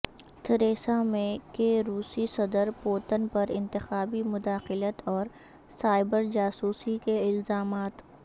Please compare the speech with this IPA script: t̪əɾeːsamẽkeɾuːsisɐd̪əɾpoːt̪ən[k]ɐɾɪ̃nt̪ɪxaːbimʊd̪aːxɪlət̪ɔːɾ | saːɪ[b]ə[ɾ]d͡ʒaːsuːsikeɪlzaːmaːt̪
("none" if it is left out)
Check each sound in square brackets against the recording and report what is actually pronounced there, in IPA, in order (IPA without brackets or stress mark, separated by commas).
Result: p, b, ɾ